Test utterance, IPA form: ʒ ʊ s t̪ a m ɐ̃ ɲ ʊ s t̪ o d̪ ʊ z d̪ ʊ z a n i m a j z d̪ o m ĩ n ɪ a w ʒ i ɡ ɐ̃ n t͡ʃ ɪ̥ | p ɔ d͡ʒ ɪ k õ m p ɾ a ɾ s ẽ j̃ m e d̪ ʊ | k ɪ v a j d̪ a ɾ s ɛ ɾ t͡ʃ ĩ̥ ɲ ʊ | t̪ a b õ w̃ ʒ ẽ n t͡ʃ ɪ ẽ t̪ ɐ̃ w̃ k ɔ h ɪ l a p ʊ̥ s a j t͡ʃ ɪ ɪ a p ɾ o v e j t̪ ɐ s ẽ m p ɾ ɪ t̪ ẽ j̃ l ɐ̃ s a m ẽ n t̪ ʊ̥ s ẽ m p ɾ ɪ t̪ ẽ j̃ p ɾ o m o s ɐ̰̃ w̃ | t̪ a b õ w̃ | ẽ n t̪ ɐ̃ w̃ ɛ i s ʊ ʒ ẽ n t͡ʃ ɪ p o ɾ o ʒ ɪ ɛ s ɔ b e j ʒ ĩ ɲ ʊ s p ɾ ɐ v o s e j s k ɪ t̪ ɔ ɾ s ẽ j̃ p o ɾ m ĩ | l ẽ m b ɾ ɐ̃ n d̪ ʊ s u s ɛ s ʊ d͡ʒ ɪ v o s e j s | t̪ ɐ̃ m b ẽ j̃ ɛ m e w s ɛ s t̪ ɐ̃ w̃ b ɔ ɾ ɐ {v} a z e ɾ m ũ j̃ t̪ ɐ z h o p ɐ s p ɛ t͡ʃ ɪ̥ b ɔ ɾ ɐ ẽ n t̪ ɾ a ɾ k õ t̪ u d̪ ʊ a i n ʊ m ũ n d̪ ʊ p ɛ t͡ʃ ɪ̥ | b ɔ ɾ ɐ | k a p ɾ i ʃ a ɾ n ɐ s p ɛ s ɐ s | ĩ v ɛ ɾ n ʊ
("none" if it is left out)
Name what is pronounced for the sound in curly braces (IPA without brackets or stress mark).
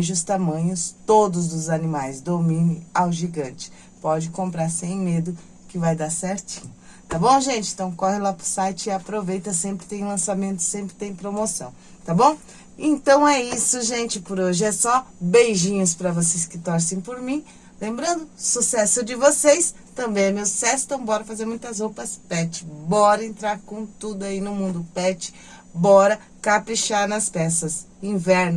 f